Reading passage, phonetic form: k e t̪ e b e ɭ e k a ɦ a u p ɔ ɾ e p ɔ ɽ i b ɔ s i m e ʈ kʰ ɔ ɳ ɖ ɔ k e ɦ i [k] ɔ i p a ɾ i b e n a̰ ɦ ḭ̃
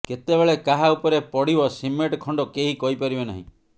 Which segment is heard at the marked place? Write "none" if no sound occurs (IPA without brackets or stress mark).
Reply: k